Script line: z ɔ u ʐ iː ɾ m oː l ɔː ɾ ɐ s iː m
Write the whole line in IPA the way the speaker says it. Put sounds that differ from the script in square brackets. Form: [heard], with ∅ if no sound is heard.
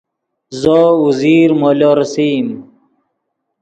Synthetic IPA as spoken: z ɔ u [z] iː ɾ m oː l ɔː ɾ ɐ s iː m

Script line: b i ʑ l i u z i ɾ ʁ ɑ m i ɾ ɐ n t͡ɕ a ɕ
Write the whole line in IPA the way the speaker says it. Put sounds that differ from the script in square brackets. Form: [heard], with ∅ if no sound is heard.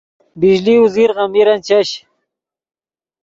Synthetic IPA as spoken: b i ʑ l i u z i ɾ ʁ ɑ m i ɾ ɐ n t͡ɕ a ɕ

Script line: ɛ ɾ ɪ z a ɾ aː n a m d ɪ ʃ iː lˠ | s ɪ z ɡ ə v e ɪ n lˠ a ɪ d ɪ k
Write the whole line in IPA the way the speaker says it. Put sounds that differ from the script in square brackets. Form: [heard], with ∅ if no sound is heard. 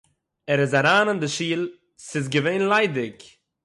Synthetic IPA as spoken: ɛ ɾ ɪ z a ɾ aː n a [n] d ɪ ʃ iː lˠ | s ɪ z ɡ ə v e ɪ n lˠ a ɪ d ɪ k

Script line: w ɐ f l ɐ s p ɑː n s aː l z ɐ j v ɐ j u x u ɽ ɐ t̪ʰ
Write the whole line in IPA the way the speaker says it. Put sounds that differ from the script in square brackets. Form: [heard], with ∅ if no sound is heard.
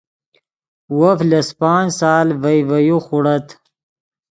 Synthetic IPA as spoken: w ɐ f l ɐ s p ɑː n s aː l [v] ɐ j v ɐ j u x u ɽ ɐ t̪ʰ

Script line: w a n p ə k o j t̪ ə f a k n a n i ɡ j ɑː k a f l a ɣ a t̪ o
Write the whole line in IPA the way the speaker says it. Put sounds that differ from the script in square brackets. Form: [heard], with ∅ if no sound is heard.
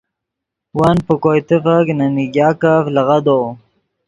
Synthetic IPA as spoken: w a n p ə k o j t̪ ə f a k n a n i ɡ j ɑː k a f l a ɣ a [d̪] o

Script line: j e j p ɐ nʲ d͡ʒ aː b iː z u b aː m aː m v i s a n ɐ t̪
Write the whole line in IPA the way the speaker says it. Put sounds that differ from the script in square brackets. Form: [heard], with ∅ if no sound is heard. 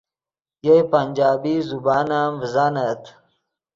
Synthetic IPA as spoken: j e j p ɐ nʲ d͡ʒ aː b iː z u b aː [n] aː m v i [z] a n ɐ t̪

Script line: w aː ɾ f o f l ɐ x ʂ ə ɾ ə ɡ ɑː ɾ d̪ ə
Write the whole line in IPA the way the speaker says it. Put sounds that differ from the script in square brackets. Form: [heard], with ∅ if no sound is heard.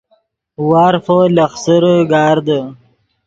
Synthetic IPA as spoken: w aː ɾ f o [∅] l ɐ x [s] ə ɾ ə ɡ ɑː ɾ d̪ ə

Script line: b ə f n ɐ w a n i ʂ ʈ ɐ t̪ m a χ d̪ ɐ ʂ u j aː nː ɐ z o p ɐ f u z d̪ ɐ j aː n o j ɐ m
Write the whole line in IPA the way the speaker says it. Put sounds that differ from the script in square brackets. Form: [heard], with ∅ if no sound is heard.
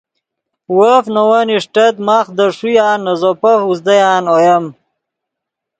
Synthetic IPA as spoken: [w] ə f n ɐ w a n i ʂ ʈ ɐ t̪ m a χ d̪ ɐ ʂ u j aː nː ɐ z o p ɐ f u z d̪ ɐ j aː n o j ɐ m

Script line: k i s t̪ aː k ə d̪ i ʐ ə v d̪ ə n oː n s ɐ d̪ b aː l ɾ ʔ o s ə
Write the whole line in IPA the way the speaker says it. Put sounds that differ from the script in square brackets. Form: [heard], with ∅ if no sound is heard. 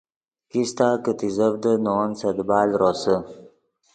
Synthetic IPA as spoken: k i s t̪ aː k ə [t̪] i [z] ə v d̪ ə n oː n s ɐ d̪ b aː l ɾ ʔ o s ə

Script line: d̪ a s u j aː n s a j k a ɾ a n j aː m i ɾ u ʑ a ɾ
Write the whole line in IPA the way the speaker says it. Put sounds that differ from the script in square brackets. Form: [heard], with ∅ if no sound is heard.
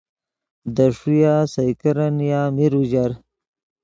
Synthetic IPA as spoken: d̪ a [ʂ] u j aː [∅] s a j k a ɾ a n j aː m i ɾ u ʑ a ɾ

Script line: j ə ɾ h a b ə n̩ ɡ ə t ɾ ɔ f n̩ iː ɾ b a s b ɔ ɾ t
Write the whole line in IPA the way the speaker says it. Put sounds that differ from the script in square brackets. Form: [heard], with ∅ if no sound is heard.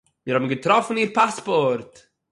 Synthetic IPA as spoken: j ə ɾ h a b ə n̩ ɡ ə t ɾ ɔ f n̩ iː ɾ [p] a s [p] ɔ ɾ t

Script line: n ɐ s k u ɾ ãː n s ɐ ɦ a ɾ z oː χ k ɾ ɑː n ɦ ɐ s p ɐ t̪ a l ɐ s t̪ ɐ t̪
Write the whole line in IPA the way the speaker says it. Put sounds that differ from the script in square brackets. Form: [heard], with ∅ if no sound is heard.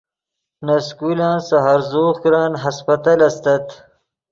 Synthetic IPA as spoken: n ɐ s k u [l] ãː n s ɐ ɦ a ɾ z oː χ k ɾ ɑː n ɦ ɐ s p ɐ t̪ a l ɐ s t̪ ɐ t̪

